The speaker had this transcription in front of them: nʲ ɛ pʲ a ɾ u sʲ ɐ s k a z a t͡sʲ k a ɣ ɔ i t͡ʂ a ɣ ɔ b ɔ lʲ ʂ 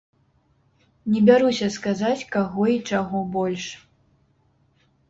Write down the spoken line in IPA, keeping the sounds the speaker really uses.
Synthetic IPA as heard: nʲ ɛ bʲ a ɾ u sʲ ɐ s k a z a t͡sʲ k a ɣ ɔ i t͡ʂ a ɣ ɔ b ɔ lʲ ʂ

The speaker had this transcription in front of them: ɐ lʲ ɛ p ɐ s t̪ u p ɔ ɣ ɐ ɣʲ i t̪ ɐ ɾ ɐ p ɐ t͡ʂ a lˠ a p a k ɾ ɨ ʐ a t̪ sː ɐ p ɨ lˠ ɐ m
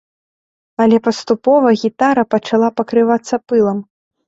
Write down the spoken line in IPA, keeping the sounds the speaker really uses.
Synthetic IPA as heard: ɐ lʲ ɛ p ɐ s t̪ u p ɔ v ɐ ɣʲ i t̪ a ɾ ɐ p ɐ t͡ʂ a lˠ a p ɐ k ɾ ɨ v a t̪ sː ɐ p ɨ lˠ ɐ m

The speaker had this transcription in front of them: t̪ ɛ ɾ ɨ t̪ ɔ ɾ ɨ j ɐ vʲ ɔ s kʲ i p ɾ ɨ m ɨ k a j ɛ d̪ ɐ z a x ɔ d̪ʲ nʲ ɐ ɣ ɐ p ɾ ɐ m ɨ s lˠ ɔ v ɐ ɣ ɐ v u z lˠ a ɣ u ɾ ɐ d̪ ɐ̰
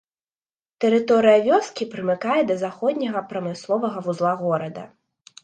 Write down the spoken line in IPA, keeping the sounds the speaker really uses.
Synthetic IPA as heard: t̪ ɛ ɾ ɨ t̪ ɔ ɾ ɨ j ɐ vʲ ɔ s kʲ i p ɾ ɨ m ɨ k a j ɛ d̪ ɐ z a x ɔ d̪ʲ nʲ ɐ ɣ ɐ p ɾ ɐ m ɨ s lˠ ɔ v ɐ ɣ ɐ v u z lˠ a ɣ ɔ ɾ ɐ d̪ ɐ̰

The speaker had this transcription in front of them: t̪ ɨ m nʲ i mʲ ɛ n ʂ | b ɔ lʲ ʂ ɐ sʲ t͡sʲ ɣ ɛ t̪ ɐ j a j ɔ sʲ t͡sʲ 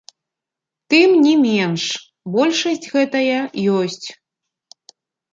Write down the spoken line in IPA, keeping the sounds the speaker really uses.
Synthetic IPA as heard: t̪ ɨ m nʲ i mʲ ɛ n ʂ | b ɔ lʲ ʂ ɐ sʲ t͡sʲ ɣ ɛ t̪ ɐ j ɐ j ɔ sʲ t͡sʲ

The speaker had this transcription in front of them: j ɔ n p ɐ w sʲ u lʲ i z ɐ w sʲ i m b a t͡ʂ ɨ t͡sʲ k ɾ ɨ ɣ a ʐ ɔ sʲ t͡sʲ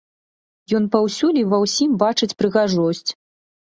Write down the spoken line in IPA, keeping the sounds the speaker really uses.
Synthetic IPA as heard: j ɔ n p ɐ w sʲ u lʲ i v ɐ w sʲ i m b a t͡ʂ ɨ t͡sʲ p ɾ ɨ ɣ a ʐ ɔ sʲ t͡sʲ

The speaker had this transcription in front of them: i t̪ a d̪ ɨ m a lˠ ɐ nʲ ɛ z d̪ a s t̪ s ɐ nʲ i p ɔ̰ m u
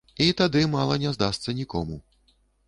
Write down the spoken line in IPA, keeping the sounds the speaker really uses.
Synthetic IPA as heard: i t̪ a d̪ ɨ m a lˠ ɐ nʲ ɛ z d̪ a s t̪ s ɐ nʲ i k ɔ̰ m u

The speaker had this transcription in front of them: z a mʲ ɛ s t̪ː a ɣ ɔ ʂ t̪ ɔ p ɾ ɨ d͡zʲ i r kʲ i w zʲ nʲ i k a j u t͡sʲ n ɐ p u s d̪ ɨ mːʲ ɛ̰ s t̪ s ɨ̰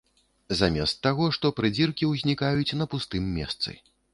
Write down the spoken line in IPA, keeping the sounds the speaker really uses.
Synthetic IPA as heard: z a mʲ ɛ s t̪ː a ɣ ɔ ʂ t̪ ɔ p ɾ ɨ d͡zʲ i r kʲ i w zʲ nʲ i k a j u t͡sʲ n ɐ p u s t̪ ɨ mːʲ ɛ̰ s t̪ s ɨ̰

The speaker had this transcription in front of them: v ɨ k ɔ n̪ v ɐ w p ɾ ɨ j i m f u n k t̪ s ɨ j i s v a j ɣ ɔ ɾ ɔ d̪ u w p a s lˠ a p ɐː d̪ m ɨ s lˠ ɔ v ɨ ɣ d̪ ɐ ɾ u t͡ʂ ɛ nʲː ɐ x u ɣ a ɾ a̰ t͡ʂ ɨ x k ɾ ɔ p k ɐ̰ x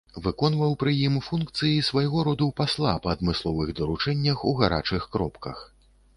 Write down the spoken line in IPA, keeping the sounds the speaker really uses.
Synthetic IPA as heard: v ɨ k ɔ n̪ v ɐ w p ɾ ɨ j i m f u n k t̪ s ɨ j i s v a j ɣ ɔ ɾ ɔ d̪ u w p a s lˠ a p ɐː d̪ m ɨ s lˠ ɔ v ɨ ɣ d̪ ɐ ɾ u t͡ʂ ɛ nʲː ɐ x u ɣ a ɾ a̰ t͡ʂ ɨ x k ɾ ɔ p k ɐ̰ x

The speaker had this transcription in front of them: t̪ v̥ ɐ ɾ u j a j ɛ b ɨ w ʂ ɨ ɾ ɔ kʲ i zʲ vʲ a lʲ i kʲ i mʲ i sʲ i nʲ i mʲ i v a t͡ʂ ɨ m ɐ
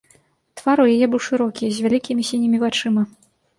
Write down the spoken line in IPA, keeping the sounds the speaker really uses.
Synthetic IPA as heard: t̪ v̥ a ɾ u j a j ɛ b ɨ w ʂ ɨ ɾ ɔ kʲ i zʲ vʲ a lʲ i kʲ i mʲ i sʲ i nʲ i mʲ i v a t͡ʂ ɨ m ɐ

